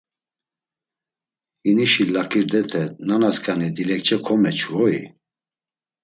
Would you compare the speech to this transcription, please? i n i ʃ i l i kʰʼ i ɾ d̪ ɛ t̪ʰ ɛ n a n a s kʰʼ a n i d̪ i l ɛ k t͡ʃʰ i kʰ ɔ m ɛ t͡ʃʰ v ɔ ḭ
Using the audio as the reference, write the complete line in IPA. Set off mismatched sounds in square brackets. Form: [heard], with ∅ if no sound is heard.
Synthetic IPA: i n i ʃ i l [a] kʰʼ i ɾ d̪ ɛ t̪ʰ ɛ n a n a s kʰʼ a n i d̪ i l ɛ k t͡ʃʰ [ɛ] kʰ ɔ m ɛ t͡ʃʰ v ɔ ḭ